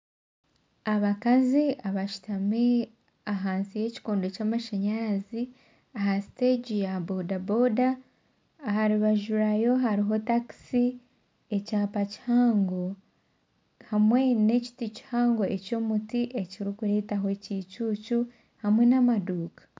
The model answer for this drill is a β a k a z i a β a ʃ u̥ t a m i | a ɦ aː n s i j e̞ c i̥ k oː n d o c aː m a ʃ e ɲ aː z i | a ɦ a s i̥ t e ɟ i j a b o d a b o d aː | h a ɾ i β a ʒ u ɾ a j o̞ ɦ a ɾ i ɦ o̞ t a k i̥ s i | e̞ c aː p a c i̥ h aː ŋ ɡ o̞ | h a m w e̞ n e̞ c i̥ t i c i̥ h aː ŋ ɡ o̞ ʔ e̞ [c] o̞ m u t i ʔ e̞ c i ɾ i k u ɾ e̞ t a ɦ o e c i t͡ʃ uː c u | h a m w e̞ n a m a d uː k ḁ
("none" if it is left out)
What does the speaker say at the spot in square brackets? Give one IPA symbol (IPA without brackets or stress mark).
c